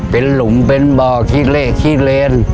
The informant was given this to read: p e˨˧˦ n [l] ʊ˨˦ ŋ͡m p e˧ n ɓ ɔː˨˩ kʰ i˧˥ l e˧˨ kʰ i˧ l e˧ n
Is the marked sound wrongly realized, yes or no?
no